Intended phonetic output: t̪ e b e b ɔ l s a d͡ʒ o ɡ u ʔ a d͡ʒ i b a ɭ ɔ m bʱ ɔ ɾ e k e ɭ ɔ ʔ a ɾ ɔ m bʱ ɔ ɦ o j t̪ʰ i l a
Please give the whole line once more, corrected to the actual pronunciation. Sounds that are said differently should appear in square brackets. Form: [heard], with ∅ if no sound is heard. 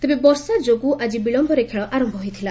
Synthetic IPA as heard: t̪ e b e b ɔ [ɾ] s a d͡ʒ o ɡ u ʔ a d͡ʒ i b [i] ɭ ɔ m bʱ ɔ ɾ e [kʰ] e ɭ ɔ ʔ a ɾ ɔ m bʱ ɔ ɦ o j t̪ʰ i l a

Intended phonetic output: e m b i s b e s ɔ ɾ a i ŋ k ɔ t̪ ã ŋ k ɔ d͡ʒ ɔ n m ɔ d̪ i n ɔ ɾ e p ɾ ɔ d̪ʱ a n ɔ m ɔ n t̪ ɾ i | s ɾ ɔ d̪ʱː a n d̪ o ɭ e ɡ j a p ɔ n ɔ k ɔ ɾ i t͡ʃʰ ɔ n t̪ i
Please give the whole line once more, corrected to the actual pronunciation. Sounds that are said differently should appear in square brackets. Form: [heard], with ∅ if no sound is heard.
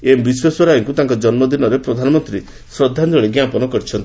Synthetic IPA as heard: e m b i s [w] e s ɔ ɾ a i ŋ k [u] t̪ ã ŋ k ɔ d͡ʒ ɔ n m ɔ d̪ i n ɔ ɾ e p ɾ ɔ d̪ʱ a n ɔ m ɔ n t̪ ɾ i | s ɾ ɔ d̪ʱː a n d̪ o ɭ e ɡ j a p ɔ n ɔ k ɔ ɾ i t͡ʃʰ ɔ n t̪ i

